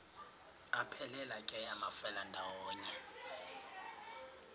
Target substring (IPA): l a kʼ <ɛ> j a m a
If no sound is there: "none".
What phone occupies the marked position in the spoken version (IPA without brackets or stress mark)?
ɛ